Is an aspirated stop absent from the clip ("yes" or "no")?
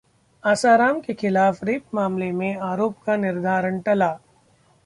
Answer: yes